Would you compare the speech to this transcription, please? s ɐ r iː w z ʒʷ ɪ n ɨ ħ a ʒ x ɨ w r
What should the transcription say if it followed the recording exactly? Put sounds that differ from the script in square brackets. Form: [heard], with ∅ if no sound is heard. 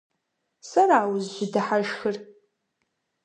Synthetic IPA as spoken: s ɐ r [aː] w z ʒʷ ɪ [d] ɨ ħ a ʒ x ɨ [∅] r